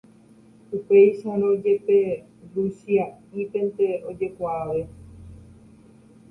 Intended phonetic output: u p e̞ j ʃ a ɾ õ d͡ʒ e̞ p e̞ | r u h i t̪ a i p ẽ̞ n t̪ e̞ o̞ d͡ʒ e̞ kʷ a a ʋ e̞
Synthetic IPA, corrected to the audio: u p e̞ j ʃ a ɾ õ d͡ʒ e̞ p e̞ | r u s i a i p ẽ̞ n t̪ e̞ o̞ d͡ʒ e̞ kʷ a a ʋ e̞